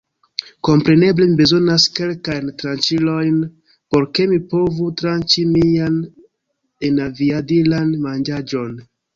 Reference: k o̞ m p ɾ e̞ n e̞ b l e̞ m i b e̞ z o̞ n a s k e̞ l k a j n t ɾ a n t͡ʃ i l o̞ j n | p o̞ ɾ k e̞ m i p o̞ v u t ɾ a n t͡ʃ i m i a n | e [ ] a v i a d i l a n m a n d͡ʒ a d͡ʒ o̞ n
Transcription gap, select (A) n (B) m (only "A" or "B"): A